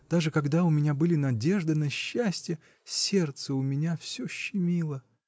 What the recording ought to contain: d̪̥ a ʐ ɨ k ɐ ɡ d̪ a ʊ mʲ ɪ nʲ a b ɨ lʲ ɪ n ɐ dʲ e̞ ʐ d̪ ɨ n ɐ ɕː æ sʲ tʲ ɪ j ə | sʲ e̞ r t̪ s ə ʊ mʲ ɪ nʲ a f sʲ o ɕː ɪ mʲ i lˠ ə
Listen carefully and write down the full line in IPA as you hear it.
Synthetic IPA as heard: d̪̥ a ʐ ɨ k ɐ ɡ d̪ a ʊ mʲ ɪ nʲ a b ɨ lʲ ɪ n ɐ dʲ e̞ ʐ d̪ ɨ n ɐ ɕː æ sʲ tʲ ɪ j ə | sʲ e̞ r t̪ s ə ʊ mʲ ɪ nʲ a f sʲ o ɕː ɪ mʲ i lˠ ə